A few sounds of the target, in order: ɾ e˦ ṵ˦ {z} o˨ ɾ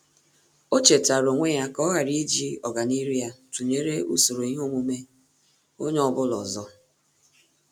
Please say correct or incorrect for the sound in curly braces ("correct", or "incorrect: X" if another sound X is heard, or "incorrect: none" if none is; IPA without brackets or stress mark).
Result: incorrect: s